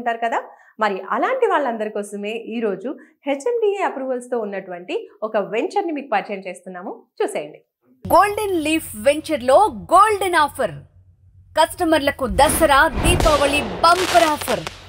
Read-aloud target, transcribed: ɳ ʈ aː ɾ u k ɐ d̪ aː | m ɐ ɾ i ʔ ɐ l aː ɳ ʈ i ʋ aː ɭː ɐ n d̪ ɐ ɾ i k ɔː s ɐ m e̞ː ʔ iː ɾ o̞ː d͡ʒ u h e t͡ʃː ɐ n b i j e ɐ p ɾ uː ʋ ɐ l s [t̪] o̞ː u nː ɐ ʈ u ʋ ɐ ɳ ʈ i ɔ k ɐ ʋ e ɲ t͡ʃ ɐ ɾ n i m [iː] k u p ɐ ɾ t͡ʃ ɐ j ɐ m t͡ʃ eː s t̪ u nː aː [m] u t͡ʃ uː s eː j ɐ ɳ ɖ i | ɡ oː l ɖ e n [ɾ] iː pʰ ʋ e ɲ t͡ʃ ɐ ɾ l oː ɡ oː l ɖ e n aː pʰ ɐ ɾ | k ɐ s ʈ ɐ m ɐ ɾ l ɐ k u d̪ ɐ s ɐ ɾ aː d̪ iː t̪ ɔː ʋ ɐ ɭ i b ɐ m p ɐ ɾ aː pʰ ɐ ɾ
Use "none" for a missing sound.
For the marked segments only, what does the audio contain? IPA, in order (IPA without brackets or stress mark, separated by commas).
t̪, iː, m, l